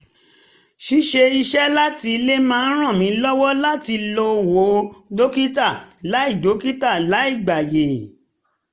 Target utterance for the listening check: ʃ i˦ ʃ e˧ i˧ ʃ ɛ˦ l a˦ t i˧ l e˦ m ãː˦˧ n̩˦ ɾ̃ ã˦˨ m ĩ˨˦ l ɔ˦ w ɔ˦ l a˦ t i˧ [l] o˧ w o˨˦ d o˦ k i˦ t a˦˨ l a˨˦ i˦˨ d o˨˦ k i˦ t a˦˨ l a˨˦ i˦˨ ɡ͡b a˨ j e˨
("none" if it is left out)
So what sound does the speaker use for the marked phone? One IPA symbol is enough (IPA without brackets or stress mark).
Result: l